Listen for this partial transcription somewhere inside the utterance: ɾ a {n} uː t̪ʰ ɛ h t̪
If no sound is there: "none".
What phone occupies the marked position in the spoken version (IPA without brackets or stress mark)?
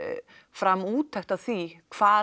m